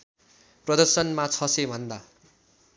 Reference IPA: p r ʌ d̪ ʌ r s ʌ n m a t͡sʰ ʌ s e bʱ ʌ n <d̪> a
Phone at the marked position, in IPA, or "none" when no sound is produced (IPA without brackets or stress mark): d̪